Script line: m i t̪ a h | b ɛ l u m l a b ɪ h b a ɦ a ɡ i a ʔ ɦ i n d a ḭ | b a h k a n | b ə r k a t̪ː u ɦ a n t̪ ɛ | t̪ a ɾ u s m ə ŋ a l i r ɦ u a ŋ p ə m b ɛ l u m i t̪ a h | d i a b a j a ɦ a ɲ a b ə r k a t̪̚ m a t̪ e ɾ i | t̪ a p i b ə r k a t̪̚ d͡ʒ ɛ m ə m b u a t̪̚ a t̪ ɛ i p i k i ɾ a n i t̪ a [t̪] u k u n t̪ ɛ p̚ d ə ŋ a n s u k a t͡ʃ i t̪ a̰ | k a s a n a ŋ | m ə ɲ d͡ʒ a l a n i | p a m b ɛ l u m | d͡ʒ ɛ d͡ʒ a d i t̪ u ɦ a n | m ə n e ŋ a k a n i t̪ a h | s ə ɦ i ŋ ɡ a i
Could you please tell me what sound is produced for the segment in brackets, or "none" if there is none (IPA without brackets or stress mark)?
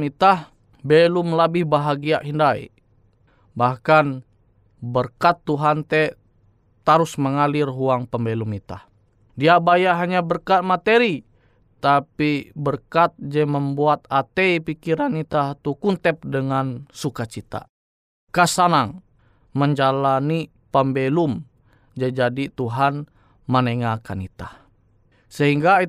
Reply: t̪